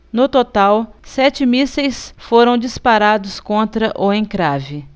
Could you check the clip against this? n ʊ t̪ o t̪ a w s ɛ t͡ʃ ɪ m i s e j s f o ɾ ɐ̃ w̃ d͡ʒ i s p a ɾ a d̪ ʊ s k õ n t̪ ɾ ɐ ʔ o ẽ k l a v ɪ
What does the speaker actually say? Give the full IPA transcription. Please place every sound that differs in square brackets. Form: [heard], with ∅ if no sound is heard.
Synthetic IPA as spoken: n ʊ t̪ o t̪ a w s ɛ t͡ʃ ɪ m i s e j s f o ɾ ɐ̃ w̃ d͡ʒ i s p a ɾ a d̪ ʊ s k õ n t̪ ɾ ɐ ʔ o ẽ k [ɾ] a v ɪ